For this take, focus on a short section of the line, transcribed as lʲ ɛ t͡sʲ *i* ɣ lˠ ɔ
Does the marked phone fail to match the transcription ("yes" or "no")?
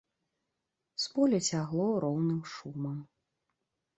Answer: yes